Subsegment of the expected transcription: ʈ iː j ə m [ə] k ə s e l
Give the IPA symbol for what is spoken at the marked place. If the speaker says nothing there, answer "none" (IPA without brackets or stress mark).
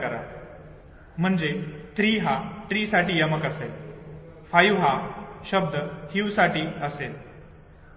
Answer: ə